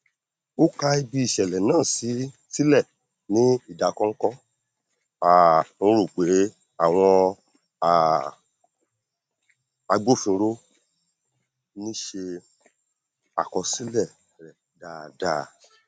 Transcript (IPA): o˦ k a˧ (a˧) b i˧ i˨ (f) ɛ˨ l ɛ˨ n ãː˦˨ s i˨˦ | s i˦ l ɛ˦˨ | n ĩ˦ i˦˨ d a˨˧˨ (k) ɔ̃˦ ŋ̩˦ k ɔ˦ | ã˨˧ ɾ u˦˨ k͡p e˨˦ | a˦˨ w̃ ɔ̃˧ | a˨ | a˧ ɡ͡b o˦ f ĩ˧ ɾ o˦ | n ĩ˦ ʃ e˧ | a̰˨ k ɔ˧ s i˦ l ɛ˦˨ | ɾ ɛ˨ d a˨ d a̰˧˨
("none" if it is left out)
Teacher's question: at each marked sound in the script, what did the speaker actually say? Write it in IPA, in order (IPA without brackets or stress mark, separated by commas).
i˧, ʃ, k